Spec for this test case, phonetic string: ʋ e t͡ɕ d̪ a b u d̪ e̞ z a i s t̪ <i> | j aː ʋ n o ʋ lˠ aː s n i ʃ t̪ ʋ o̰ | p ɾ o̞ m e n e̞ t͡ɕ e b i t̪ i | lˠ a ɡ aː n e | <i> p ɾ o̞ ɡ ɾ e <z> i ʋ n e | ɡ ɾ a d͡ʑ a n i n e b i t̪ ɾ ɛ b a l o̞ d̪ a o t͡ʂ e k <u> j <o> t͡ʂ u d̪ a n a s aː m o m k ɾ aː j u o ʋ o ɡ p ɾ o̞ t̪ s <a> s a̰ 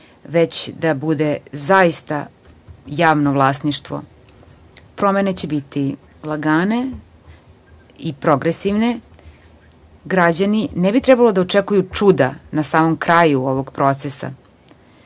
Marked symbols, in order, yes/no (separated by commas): no, yes, no, yes, no, no